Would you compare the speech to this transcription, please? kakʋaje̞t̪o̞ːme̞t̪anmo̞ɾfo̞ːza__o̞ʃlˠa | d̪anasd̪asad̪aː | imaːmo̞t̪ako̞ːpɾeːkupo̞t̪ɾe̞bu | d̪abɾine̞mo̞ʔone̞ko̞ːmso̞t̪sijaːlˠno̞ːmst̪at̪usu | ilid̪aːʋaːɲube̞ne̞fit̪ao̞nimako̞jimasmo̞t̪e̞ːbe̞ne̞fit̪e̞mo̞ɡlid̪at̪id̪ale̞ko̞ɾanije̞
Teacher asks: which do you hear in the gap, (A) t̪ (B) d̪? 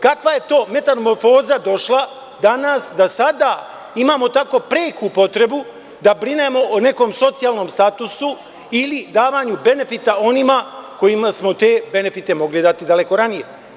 B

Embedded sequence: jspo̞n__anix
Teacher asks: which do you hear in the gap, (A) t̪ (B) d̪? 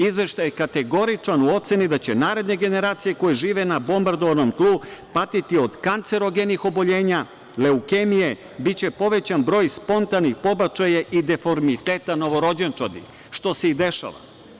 A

